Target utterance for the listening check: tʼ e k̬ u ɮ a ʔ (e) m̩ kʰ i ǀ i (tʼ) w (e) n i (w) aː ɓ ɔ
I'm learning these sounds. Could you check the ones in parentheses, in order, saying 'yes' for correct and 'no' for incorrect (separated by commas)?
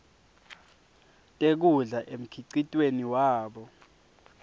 yes, yes, yes, yes